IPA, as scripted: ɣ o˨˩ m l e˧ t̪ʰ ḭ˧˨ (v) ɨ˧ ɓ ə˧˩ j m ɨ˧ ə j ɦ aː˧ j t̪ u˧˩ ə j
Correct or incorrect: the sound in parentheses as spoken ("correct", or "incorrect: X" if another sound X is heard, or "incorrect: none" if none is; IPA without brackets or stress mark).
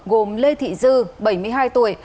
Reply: incorrect: z